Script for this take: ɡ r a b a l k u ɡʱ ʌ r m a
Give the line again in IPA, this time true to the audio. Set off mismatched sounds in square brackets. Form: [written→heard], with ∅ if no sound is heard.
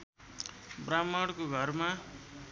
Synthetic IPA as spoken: [ɡ→b] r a [b→m] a [l→ɽ] k [u→o] ɡʱ ʌ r m a